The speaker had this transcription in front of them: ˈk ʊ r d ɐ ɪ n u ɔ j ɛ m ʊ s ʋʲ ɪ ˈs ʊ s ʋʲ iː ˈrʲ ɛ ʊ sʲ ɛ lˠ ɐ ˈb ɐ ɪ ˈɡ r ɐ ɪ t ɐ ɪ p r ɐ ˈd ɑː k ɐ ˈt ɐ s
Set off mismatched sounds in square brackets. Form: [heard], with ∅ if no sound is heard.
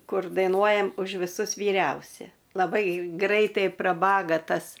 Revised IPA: ˈk ʊ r d ɐ ɪ n u ɔ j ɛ m ʊ [ʃ] ʋʲ ɪ ˈs ʊ s ʋʲ iː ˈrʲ ɛ ʊ sʲ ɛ lˠ ɐ ˈb ɐ ɪ ˈɡ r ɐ ɪ t ɐ ɪ p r ɐ [ˈb] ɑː [ɡ] ɐ ˈt ɐ s